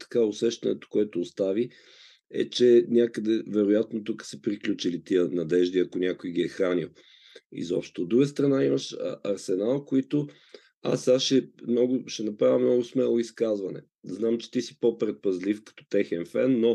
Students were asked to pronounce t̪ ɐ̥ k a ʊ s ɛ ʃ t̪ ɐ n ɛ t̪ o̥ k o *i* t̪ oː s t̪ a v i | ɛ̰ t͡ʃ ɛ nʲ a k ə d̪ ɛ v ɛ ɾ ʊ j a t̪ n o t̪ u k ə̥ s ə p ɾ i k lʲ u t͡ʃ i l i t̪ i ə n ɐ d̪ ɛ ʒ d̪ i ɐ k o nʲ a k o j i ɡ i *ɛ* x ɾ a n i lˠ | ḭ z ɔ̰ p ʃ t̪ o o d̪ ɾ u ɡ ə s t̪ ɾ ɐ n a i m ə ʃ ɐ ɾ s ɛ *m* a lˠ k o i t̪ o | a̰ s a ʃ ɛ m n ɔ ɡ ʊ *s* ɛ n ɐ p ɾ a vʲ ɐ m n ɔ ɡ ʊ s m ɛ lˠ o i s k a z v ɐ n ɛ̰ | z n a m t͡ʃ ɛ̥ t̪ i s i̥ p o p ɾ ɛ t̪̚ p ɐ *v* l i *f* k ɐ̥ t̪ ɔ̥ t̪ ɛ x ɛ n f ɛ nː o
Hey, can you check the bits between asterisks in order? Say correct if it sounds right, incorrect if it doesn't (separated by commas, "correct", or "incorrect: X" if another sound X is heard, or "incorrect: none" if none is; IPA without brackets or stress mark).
incorrect: ɛ, correct, incorrect: n, incorrect: ʃ, incorrect: z, correct